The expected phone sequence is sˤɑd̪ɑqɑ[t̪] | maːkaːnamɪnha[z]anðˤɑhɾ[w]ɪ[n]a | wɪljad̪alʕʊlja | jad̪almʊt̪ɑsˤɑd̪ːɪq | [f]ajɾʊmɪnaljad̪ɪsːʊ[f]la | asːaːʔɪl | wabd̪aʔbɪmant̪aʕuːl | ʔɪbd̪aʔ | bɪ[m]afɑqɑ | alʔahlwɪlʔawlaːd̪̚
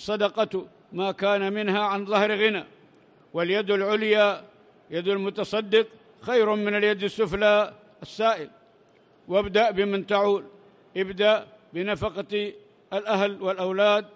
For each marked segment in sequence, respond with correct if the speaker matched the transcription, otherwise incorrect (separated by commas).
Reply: correct, incorrect, incorrect, correct, incorrect, correct, incorrect